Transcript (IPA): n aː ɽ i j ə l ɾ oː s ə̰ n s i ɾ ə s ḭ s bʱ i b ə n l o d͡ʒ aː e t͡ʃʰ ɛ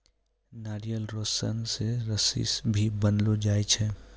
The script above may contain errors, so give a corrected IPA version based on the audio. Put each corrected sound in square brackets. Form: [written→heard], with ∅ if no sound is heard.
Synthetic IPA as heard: n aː [ɽ→ɾ] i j ə l ɾ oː s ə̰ n s [i→e] ɾ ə s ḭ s bʱ i b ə n l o d͡ʒ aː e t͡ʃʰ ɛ